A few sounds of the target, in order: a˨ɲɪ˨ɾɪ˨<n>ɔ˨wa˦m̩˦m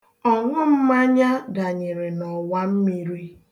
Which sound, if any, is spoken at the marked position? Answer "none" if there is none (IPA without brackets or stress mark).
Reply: n